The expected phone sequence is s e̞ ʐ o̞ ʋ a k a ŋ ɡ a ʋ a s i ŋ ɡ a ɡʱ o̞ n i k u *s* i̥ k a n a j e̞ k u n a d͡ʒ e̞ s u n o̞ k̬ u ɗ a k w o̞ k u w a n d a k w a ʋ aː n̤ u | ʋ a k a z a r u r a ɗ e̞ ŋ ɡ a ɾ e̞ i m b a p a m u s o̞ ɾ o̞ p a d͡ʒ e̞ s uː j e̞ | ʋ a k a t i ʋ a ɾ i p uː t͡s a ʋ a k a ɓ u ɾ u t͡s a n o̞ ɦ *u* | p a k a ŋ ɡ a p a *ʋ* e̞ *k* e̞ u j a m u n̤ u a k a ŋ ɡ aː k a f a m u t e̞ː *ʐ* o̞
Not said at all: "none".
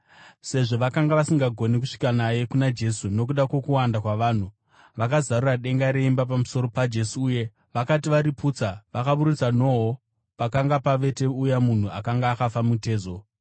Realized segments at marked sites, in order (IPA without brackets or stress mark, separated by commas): ʂ, o, ʋ, t, z